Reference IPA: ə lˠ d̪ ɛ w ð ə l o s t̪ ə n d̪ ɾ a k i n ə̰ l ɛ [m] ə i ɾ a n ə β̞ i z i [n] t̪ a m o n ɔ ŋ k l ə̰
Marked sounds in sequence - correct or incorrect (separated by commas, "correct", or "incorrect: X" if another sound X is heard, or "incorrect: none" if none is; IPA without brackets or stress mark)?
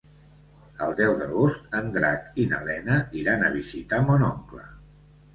incorrect: n, incorrect: none